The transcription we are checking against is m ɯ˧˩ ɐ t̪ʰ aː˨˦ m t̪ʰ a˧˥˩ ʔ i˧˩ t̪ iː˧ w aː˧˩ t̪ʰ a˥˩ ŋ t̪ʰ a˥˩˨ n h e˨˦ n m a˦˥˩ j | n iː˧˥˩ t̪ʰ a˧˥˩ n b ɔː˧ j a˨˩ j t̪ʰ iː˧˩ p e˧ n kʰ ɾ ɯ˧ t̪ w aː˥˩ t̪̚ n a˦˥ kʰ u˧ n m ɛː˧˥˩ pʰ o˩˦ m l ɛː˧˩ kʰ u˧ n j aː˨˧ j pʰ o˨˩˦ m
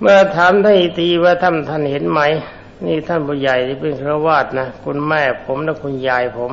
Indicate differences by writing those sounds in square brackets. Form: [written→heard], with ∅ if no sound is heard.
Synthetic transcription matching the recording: m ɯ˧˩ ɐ t̪ʰ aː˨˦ m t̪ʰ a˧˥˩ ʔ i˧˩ t̪ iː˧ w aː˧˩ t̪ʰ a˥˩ [ŋ→n] t̪ʰ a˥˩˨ n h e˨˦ n m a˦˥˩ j | n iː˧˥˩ t̪ʰ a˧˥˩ n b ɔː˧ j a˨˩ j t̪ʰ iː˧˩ p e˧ n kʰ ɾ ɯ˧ [t̪→∅] w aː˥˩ t̪̚ n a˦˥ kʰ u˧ n m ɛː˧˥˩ pʰ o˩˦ m l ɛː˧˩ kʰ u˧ n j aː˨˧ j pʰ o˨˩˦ m